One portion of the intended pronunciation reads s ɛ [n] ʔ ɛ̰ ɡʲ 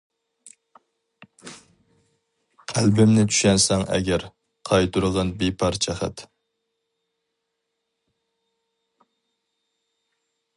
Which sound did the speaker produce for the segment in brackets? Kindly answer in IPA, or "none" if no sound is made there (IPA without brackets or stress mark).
ŋ